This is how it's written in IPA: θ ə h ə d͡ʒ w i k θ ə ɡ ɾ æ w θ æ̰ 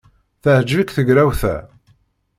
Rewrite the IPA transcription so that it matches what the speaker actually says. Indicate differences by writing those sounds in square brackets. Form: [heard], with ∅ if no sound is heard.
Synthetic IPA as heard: θ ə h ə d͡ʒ [v] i k θ ə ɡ ɾ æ w θ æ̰